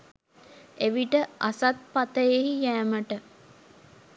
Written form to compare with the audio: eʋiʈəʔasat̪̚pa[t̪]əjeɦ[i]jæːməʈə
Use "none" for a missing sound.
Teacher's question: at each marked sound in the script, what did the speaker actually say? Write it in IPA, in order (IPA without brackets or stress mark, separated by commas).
t̪, i